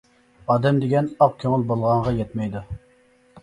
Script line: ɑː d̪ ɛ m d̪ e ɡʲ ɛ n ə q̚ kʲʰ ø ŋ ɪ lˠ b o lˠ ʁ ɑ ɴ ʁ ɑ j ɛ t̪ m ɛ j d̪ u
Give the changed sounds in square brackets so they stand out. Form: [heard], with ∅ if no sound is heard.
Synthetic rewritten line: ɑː d̪ ɛ m d̪ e ɡʲ ɛ n [ɑ] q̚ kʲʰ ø ŋ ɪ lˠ b o lˠ ʁ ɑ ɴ ʁ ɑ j ɛ t̪ m ɛ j d̪ u